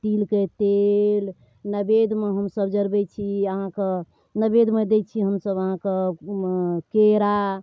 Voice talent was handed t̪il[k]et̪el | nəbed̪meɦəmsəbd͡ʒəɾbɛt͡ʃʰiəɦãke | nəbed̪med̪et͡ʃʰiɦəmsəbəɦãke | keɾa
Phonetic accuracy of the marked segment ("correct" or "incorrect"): correct